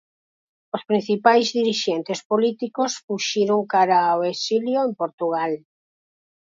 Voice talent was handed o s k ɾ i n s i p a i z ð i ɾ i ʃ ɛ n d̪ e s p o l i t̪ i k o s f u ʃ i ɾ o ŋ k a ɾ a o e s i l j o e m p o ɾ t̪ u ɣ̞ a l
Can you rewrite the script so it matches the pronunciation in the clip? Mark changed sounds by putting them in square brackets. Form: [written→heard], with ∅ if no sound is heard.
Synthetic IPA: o s [k→p] ɾ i n [s→θ] i p a [i→j] z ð i ɾ i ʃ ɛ n [d̪→t̪] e s p o l i t̪ i k o s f u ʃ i ɾ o ŋ k a ɾ a o e s i l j o e m p o ɾ t̪ u ɣ̞ a l